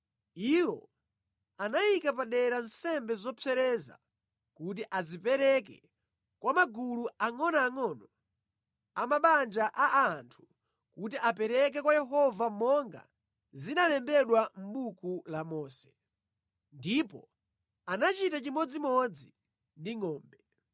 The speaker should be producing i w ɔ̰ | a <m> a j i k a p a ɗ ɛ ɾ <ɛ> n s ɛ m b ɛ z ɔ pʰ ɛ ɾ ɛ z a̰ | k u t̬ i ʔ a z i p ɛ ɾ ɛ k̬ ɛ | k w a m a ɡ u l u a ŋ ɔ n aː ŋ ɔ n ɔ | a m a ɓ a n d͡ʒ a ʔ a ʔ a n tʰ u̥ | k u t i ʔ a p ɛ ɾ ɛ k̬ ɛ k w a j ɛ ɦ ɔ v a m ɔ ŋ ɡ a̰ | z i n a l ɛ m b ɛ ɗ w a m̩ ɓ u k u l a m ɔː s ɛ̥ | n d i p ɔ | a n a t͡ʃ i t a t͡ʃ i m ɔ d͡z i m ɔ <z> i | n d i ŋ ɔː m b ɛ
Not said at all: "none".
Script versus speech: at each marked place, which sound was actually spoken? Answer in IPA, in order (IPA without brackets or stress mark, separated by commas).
n, a, d͡z